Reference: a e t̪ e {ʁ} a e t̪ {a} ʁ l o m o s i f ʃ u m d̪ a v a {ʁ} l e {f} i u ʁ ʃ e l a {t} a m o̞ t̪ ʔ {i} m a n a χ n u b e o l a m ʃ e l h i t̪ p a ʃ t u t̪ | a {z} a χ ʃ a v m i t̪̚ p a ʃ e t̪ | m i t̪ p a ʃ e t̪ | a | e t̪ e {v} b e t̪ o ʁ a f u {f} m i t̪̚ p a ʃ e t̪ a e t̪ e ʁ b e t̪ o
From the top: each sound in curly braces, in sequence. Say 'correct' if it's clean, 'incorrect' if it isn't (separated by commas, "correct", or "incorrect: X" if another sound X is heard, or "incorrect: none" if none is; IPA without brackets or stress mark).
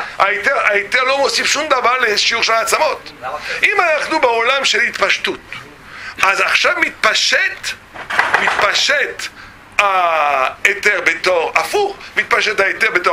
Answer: correct, incorrect: e, correct, incorrect: ʃ, incorrect: t͡s, correct, correct, incorrect: ʁ, incorrect: χ